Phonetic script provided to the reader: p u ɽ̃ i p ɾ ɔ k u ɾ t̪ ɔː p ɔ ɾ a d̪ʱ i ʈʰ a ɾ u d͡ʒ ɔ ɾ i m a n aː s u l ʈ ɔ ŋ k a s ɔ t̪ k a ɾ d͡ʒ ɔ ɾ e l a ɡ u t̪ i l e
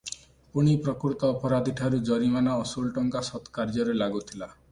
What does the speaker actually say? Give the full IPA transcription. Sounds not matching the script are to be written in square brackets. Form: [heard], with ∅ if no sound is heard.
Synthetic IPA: p u ɽ̃ i p ɾ ɔ k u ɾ t̪ ɔː p ɔ ɾ a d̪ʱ i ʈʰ a ɾ u d͡ʒ ɔ ɾ i m a n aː s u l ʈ ɔ ŋ k a s ɔ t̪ k a ɾ d͡ʒ ɔ ɾ e l a ɡ u [t̪ʰ] i l [a]